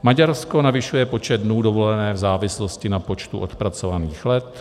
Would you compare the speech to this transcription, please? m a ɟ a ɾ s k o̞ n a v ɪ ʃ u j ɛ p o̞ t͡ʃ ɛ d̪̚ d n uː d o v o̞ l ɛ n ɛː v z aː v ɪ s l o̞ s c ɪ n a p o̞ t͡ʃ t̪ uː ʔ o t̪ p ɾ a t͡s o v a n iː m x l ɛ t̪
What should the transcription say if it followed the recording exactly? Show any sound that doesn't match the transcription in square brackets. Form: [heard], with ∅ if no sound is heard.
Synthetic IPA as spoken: m a ɟ a ɾ s k o̞ n a v ɪ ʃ u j ɛ p o̞ t͡ʃ ɛ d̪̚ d n uː d o v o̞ l ɛ n ɛː v z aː v ɪ s l o̞ s c ɪ n a p o̞ t͡ʃ t̪ [u] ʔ o t̪ p ɾ a t͡s o v a n iː [∅] x l ɛ t̪